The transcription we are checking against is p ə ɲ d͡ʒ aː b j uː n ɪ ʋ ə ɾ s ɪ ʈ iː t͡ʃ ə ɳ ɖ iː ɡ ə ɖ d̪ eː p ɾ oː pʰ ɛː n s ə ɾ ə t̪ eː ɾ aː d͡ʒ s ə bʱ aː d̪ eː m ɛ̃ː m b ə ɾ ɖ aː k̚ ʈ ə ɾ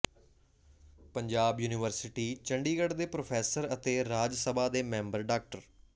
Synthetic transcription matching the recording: p ə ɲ d͡ʒ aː b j uː n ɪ ʋ ə ɾ s ɪ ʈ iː t͡ʃ ə ɳ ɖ iː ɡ ə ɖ d̪ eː p ɾ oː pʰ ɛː s ə ɾ ə t̪ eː ɾ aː d͡ʒ s ə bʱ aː d̪ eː m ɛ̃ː m b ə ɾ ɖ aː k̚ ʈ ə ɾ

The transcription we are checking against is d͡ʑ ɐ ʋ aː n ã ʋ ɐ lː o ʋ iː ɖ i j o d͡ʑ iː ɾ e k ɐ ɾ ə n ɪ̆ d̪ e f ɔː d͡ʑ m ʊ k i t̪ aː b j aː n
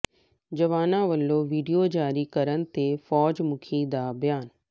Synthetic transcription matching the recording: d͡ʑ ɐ ʋ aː n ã ʋ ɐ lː o ʋ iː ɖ i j o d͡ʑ aː ɾ i k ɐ ɾ ə n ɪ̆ t̪ e f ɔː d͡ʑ m ʊ kʰ i d̪ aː b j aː n

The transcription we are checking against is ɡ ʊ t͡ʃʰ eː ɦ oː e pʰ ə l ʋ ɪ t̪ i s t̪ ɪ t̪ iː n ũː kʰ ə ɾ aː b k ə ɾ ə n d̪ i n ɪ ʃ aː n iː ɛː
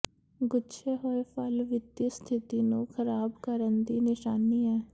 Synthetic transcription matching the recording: ɡ ʊ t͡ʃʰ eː ɦ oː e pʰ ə l ʋ ɪ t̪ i s t̪ʰ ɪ t̪ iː n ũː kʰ ə ɾ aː b k ə ɾ ə n d̪ iː n ɪ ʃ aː n iː ɛː

